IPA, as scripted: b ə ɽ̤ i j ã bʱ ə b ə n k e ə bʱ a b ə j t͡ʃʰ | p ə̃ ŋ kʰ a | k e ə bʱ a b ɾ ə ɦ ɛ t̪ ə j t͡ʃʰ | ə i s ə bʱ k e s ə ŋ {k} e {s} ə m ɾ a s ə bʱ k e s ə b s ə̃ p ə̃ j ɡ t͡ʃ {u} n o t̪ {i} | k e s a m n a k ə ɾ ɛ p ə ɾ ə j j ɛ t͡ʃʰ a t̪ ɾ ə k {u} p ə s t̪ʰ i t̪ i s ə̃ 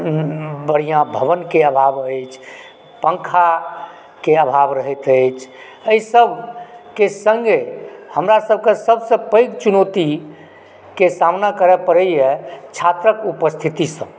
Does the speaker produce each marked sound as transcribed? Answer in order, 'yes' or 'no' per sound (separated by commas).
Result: no, no, yes, yes, yes